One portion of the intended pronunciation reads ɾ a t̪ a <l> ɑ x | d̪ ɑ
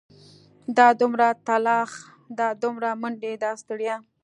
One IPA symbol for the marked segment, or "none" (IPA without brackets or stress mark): l